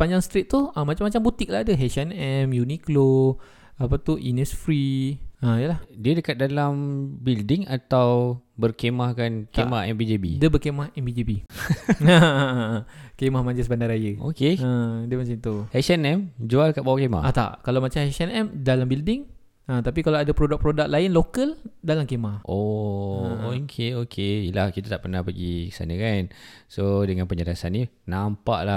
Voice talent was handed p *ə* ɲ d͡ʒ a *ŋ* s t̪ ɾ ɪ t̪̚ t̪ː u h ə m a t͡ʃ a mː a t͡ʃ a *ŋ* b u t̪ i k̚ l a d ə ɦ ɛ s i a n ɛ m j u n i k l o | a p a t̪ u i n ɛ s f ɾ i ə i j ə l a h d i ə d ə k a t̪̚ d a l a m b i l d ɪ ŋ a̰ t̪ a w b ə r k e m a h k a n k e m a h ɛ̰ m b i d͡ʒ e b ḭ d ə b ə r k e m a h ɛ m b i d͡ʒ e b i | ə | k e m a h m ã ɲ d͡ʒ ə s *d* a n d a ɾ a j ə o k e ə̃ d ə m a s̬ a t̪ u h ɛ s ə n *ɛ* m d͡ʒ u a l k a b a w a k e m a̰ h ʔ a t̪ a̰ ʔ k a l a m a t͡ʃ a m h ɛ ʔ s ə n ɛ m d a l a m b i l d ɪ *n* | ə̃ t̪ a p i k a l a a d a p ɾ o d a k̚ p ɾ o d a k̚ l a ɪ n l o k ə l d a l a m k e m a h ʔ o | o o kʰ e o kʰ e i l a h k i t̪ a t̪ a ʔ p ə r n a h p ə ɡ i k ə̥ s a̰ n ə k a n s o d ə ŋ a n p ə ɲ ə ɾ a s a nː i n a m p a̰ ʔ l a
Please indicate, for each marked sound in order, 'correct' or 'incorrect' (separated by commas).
incorrect, correct, incorrect, incorrect, correct, incorrect